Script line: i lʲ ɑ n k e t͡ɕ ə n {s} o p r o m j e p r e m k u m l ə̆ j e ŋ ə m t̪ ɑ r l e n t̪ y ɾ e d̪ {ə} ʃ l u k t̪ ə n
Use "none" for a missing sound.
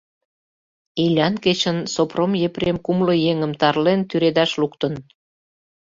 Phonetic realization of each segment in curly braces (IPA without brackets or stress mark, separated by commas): s, ɑ